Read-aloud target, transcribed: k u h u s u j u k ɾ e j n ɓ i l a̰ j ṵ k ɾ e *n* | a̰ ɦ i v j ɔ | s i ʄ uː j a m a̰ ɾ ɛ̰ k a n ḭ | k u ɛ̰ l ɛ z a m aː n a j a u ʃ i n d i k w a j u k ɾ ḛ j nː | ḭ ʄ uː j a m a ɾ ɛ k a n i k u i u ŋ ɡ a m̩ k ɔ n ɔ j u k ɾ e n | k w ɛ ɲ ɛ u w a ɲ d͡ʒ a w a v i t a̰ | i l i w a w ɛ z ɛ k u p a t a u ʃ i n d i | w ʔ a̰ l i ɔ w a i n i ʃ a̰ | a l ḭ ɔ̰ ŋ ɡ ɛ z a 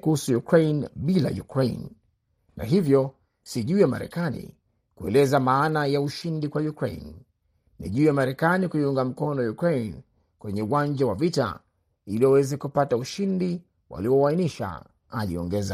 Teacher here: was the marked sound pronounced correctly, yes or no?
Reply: no